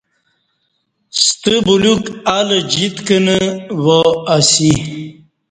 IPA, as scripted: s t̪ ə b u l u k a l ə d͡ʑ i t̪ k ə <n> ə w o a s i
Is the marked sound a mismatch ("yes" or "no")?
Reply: no